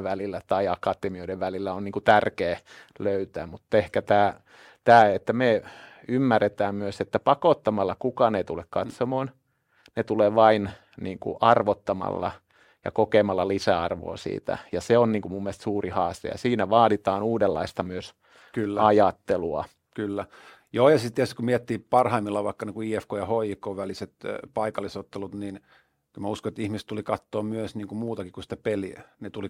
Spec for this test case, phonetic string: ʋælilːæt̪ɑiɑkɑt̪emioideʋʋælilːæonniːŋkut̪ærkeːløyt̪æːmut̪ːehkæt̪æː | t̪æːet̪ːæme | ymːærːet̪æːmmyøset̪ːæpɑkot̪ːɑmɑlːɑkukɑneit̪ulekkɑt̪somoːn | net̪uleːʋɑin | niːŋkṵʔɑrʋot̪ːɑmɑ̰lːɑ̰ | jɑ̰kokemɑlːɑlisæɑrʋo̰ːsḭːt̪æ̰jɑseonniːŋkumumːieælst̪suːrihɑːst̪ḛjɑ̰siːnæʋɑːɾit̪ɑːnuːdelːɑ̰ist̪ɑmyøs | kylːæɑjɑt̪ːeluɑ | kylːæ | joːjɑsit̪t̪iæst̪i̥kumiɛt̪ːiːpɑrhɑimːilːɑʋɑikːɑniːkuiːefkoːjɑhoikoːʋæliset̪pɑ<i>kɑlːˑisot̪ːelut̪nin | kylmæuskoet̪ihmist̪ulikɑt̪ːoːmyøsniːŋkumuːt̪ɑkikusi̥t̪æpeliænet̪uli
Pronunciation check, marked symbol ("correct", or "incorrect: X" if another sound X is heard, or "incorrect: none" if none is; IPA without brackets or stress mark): correct